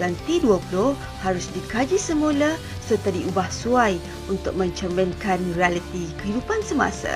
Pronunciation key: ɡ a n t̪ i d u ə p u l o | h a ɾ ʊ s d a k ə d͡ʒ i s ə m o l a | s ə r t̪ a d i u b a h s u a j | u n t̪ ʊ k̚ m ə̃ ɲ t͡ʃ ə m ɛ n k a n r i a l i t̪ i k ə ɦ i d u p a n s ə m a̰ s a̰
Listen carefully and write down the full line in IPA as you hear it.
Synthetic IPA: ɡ a n t̪ i d u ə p u l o | h a ɾ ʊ s d i k a d͡ʒ i s ə m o l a | s ə r t̪ a d i u b a h s u a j | u n t̪ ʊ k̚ m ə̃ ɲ t͡ʃ ə m ɛ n k a n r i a l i t̪ i k ə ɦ i d u p a n s ə m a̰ s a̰